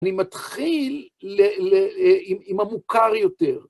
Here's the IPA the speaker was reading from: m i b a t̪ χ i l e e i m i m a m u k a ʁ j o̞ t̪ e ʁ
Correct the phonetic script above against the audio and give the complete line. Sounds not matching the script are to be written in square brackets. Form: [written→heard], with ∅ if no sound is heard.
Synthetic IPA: [m→n] i [b→m] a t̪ χ i l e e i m i m a m u k a ʁ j o̞ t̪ e ʁ